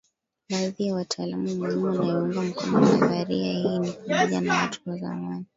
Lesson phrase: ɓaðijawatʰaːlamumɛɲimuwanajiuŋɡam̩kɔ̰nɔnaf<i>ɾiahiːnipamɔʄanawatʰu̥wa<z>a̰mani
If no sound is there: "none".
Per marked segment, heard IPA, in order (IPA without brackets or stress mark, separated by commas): a, z